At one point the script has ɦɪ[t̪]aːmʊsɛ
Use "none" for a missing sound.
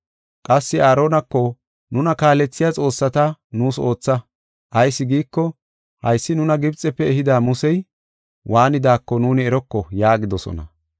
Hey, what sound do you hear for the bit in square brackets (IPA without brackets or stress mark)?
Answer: d̪